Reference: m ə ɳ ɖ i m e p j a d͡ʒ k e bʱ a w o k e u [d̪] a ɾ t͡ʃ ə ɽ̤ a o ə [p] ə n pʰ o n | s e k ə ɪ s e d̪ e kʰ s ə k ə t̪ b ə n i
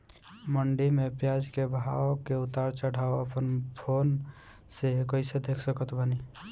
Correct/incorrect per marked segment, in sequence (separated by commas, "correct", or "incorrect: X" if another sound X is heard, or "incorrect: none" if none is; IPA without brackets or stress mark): incorrect: t̪, correct